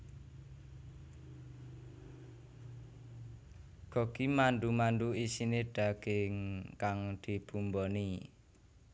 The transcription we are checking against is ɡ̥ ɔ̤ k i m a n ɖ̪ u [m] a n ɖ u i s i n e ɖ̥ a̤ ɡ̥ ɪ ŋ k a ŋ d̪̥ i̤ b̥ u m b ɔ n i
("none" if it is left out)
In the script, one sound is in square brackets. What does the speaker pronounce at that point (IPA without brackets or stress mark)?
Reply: m